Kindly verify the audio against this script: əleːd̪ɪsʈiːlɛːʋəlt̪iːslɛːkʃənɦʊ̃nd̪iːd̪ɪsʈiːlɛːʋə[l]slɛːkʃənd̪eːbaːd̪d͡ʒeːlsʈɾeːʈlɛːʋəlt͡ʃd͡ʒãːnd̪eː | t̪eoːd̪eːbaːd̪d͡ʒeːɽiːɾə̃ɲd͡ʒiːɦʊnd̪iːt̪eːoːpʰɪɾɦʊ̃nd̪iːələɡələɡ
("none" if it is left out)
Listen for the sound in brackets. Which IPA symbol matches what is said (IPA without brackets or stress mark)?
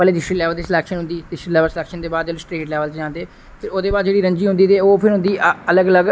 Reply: l